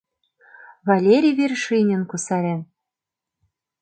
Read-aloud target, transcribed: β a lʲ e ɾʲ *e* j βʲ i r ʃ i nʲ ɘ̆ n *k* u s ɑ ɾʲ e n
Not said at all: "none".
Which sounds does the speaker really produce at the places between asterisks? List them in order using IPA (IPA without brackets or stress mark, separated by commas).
i, k